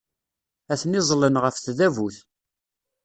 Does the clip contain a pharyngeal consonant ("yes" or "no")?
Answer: no